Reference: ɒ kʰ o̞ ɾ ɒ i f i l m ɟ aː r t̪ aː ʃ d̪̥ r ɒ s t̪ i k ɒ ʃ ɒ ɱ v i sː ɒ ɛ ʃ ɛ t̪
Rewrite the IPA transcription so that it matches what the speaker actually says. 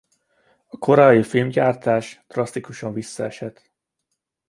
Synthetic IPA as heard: ɒ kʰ o̞ ɾ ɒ i f i l m ɟ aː r t̪ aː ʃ d̪̥ r ɒ s t̪ i k u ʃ ɒ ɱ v i sː ɒ ɛ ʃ ɛ t̪